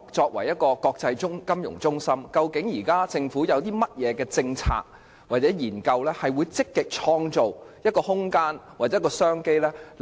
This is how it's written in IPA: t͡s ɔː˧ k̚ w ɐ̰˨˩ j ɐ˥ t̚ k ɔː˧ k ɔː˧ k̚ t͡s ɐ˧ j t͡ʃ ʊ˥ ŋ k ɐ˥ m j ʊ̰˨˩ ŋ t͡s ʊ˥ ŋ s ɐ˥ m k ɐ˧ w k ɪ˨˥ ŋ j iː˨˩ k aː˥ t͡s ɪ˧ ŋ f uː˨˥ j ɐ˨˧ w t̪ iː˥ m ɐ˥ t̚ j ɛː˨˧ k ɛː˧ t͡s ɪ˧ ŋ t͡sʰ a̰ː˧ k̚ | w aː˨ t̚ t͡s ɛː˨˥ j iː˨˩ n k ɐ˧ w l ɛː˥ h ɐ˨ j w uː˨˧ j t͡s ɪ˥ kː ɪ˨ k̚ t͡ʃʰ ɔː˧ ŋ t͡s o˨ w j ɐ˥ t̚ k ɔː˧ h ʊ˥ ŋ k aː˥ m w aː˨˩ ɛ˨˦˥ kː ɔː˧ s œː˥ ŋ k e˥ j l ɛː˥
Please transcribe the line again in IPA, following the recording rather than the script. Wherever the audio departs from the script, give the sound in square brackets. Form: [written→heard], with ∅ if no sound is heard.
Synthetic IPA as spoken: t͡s ɔː˧ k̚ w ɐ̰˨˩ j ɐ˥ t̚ k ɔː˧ k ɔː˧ k̚ t͡s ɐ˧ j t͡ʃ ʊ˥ ŋ k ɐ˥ m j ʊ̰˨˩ ŋ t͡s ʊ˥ ŋ s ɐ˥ m k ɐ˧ w k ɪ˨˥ ŋ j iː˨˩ k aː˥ t͡s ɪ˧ ŋ f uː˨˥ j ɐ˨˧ w t̪ iː˥ m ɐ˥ t̚ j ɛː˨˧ k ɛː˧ t͡s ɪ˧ ŋ t͡sʰ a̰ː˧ k̚ | w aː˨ t̚ t͡s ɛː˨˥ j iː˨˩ n k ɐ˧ w l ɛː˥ h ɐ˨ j w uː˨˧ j t͡s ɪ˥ kː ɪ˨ k̚ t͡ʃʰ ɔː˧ ŋ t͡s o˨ w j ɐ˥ t̚ k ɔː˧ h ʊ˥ ŋ k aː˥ [m→n] w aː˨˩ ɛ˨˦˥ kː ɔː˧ s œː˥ ŋ k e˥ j l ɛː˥